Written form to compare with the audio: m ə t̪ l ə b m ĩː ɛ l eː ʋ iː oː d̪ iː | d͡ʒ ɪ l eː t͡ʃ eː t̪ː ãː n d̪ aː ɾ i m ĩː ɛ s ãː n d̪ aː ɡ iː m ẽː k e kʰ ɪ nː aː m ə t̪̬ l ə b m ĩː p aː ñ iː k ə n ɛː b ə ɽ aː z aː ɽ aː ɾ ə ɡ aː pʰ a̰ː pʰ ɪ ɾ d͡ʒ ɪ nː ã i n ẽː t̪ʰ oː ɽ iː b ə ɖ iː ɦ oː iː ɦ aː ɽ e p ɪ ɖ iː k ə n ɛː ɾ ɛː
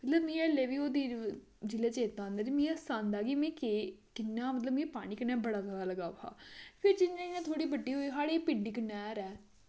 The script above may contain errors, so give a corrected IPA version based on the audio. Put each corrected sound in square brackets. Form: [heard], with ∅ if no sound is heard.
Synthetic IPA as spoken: m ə t̪ l ə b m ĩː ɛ l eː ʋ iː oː d̪ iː | d͡ʒ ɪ l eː t͡ʃ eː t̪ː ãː n d̪ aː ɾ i m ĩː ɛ s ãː n d̪ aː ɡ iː m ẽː k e [k] ɪ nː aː m ə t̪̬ l ə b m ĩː p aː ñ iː k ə n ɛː b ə ɽ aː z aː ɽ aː [l] ə ɡ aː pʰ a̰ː pʰ ɪ ɾ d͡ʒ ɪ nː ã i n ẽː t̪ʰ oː ɽ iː b ə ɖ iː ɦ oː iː ɦ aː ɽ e p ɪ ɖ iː k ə n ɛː ɾ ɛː